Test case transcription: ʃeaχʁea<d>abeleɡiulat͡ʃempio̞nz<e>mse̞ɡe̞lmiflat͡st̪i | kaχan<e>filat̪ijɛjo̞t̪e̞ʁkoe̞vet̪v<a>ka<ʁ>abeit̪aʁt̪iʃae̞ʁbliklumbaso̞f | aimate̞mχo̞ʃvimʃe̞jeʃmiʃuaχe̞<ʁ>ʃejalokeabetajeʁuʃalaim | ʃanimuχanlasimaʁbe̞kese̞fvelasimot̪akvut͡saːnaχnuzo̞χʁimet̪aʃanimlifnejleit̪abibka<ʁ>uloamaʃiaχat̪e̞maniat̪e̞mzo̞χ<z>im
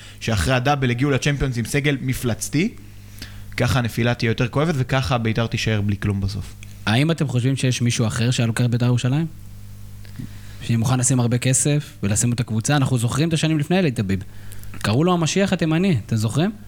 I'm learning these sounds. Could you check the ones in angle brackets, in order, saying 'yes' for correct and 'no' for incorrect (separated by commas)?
yes, no, yes, no, no, yes, yes, no